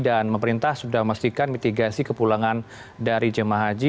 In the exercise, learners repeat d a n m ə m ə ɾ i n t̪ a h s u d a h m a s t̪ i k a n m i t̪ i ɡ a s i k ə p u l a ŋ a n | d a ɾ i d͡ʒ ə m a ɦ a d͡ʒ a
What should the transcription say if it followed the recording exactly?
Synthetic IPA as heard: d a n m ə m ə ɾ i n t̪ a h s u d a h m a s t̪ i k a n m i t̪ i ɡ a s i k ə p u l a ŋ a n | d a ɾ i d͡ʒ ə m a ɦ a d͡ʒ i